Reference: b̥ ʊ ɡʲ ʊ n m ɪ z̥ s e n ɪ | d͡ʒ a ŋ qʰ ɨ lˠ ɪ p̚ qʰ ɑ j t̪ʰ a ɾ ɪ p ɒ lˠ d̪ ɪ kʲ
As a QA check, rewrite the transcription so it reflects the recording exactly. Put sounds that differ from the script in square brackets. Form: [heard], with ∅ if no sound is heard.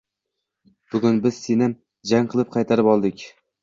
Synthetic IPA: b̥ ʊ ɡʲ ʊ n [b] ɪ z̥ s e n ɪ | d͡ʒ a ŋ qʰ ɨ lˠ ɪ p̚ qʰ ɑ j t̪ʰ a ɾ ɪ p ɒ lˠ d̪ ɪ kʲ